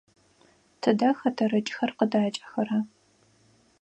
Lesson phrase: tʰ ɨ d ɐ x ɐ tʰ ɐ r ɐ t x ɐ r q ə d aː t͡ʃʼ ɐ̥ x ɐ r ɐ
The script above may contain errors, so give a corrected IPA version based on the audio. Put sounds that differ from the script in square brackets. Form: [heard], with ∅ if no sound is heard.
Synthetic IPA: tʰ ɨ d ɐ x ɐ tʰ ɐ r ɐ [t͡ʃʼ] x ɐ r q ə d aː t͡ʃʼ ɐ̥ x ɐ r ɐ